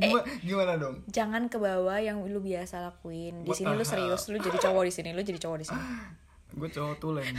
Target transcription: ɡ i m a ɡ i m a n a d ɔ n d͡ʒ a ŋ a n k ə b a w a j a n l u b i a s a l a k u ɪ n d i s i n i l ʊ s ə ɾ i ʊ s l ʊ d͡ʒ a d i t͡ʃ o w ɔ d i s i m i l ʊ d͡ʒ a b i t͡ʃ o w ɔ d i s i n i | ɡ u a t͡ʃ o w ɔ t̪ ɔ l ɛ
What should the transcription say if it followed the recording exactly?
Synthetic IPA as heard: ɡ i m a ɡ i m a n a d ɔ ŋ d͡ʒ a ŋ a n k ə b a w a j a ŋ l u b i a s a l a k u ɪ n d i s i n i l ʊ s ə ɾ i ʊ s l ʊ d͡ʒ a d i t͡ʃ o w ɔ d i s i n i l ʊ d͡ʒ a d i t͡ʃ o w ɔ d i s i n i | ɡ u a t͡ʃ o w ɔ t̪ u l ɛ